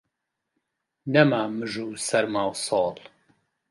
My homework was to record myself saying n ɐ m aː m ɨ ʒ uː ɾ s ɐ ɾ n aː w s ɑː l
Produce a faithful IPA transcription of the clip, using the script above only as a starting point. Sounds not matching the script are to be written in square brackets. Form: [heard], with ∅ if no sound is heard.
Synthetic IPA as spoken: n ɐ m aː m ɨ ʒ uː [∅] s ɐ ɾ [m] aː w s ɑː l